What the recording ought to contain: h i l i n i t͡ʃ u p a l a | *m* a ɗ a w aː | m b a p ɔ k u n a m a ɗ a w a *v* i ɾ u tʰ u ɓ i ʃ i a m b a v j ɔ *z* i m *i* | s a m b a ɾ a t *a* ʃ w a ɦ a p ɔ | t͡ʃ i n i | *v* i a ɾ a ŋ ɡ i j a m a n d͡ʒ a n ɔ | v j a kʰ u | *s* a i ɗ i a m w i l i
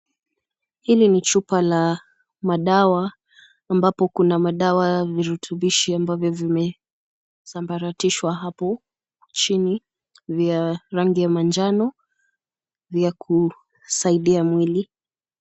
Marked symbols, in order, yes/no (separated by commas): yes, yes, no, no, no, yes, yes